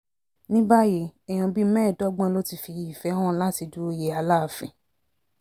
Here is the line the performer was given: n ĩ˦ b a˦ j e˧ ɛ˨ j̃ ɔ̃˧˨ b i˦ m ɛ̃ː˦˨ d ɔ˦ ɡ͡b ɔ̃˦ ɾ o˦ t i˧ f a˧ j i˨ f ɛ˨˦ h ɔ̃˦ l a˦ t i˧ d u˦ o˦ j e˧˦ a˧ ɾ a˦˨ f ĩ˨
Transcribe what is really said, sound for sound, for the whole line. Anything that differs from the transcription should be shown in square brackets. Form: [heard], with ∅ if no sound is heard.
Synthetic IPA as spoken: n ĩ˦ b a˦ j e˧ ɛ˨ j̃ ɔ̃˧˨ b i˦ m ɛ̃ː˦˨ d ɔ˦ ɡ͡b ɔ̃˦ [l] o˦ t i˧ f [i˧] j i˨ f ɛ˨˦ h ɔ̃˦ l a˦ t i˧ d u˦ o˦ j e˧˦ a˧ [l] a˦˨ f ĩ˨